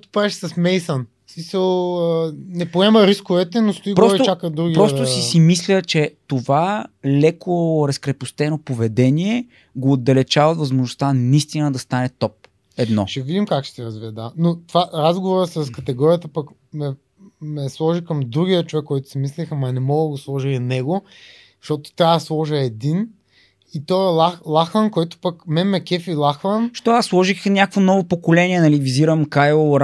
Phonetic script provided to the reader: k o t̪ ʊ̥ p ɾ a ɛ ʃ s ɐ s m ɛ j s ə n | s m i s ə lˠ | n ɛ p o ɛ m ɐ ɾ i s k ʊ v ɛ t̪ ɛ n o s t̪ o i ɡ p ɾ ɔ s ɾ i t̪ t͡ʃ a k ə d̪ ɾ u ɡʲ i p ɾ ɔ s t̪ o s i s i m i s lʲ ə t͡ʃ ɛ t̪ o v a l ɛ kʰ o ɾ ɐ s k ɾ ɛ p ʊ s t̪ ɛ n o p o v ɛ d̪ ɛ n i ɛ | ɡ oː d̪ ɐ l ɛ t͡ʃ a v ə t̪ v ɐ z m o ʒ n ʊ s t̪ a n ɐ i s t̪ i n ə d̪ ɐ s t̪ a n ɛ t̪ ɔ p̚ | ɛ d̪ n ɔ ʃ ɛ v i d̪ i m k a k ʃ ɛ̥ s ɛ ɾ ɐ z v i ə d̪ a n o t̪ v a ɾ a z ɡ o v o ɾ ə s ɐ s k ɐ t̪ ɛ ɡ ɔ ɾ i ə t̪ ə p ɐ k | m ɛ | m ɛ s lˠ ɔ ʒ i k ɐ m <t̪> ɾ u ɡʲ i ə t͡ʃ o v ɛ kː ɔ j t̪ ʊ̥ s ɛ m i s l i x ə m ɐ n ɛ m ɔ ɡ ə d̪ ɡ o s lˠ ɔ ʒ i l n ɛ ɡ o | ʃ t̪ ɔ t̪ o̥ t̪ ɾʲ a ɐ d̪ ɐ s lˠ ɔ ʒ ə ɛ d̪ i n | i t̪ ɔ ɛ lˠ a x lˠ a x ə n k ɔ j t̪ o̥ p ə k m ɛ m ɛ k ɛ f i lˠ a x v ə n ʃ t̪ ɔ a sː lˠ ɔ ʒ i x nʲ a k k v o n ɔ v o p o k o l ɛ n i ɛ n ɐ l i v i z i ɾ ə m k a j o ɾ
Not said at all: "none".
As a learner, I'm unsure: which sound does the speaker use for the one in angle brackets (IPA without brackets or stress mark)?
d̪